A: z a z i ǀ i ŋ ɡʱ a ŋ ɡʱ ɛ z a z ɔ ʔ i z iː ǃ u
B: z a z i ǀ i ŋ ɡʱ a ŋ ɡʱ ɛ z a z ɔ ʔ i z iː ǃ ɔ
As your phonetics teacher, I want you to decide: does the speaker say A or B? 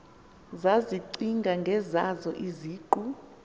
A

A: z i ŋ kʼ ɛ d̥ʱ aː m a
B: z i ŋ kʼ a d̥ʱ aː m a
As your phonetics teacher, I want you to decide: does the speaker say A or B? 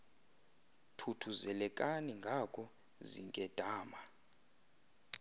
A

